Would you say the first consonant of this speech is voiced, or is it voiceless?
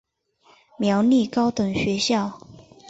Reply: voiced